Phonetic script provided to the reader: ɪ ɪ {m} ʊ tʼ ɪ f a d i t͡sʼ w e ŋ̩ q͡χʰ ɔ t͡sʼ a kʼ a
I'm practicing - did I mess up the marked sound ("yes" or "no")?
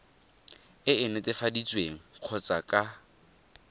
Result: yes